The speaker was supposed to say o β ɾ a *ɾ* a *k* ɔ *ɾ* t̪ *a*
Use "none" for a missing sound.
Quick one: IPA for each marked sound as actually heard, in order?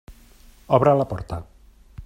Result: l, p, ɾ, a

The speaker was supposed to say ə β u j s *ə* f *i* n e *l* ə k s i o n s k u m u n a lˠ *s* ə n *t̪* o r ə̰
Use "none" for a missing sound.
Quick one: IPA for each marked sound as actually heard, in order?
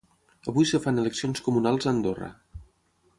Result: ə, a, l, z, d̪

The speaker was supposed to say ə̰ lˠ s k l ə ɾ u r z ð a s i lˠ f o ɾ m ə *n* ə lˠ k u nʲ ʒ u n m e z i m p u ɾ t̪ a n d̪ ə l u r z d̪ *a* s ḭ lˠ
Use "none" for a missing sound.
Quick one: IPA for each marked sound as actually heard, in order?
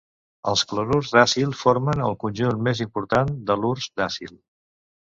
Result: n, a

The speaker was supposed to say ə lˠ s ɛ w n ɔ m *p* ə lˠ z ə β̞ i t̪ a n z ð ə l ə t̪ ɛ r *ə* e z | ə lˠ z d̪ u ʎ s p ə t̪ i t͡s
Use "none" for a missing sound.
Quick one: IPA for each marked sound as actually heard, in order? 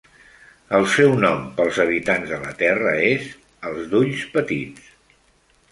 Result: p, ə

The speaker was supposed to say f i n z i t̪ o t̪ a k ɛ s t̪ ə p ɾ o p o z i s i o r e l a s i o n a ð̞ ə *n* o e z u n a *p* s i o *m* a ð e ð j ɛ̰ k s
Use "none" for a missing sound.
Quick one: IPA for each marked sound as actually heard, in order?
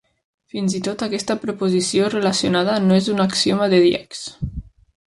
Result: n, k, m

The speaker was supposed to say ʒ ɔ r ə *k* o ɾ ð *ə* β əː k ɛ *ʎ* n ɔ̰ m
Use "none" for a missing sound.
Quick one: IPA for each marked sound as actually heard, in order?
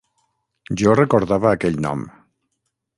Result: k, a, ʎ

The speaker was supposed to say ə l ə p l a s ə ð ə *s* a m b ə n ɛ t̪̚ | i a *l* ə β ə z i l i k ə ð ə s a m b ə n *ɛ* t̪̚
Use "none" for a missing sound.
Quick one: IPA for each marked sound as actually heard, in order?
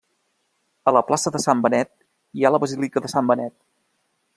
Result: s, l, ɛ

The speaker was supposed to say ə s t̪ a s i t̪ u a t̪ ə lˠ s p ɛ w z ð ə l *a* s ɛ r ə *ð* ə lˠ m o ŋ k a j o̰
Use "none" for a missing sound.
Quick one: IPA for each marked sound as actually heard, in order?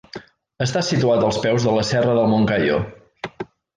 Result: ə, ð

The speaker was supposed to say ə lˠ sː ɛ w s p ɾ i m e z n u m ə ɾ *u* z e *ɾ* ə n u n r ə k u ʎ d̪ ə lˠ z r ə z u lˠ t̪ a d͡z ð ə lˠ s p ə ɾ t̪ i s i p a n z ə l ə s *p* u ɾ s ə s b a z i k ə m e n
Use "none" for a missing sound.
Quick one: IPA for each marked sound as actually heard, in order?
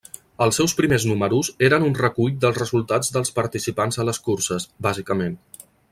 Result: u, ɾ, k

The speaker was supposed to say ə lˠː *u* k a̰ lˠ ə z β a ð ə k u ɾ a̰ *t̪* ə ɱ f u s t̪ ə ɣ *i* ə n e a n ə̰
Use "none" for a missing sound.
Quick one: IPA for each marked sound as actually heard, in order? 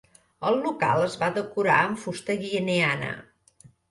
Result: u, none, i

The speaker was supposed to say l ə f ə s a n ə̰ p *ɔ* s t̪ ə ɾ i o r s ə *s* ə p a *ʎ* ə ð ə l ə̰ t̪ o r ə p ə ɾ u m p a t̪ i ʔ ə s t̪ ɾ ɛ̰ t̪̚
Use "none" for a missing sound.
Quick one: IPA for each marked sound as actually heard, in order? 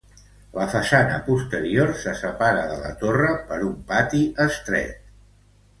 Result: u, s, ɾ

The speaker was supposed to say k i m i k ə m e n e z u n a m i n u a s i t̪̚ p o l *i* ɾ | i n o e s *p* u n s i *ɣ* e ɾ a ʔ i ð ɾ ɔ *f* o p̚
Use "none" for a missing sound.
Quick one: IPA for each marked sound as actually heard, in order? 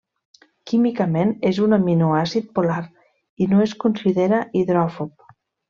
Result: a, k, ð, f

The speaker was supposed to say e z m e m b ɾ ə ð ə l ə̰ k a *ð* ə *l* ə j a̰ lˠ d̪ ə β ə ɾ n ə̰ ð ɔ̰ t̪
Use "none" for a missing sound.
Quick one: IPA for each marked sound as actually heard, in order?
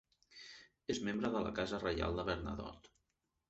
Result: z, r

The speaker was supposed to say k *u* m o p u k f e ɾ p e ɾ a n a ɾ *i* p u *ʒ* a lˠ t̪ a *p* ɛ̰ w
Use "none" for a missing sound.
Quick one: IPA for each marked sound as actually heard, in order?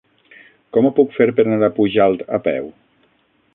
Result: ɔ, a, ʒ, p

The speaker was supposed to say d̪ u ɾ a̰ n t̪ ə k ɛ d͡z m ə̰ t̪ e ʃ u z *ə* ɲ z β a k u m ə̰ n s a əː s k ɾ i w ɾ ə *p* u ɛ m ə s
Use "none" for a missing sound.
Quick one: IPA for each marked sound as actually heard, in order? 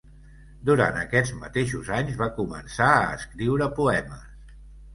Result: a, p

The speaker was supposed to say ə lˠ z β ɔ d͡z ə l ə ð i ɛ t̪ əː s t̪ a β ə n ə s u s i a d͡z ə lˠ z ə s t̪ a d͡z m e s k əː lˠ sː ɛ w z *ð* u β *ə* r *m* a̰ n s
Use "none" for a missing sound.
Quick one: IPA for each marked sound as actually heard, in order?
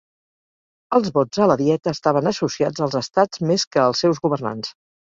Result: ɣ, ə, n

